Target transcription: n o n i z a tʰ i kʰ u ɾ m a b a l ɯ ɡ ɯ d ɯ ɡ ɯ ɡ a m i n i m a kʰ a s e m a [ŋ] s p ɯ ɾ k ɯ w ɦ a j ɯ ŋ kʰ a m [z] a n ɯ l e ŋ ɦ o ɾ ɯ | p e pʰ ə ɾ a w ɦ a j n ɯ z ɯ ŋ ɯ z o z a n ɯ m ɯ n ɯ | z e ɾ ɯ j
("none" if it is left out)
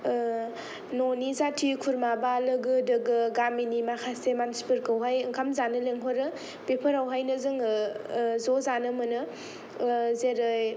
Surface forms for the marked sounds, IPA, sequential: n, z

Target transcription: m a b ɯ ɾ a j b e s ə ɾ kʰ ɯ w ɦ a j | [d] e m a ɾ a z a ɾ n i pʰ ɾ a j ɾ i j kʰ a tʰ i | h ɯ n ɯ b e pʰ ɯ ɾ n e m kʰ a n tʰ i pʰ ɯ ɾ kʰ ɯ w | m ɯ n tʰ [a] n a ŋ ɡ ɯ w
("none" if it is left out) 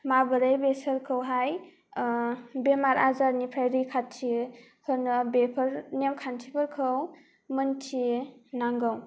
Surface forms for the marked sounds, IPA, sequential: b, i

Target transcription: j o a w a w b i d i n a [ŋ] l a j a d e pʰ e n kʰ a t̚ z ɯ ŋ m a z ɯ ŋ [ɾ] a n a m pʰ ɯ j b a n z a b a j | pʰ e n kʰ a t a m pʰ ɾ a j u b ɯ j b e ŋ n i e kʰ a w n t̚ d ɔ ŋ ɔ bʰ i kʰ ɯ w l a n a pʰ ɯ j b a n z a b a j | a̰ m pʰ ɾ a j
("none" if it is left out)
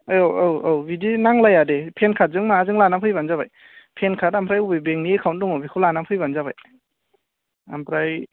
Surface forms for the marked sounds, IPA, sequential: ŋ, l

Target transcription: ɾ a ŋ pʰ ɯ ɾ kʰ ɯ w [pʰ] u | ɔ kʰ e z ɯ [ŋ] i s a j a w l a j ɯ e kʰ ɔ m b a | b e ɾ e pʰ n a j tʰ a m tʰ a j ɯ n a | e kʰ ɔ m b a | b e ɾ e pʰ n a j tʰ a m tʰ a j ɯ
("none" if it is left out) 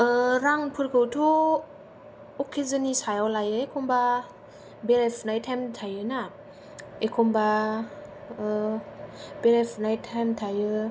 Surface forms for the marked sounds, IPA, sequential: tʰ, n

